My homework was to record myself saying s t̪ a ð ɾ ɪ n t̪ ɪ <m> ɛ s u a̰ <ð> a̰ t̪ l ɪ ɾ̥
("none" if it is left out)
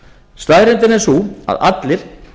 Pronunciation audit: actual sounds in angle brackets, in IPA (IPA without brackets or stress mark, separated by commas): n, ð